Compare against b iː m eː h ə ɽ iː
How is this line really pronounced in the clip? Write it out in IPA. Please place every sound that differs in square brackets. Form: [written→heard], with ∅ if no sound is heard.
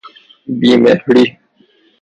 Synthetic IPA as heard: b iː m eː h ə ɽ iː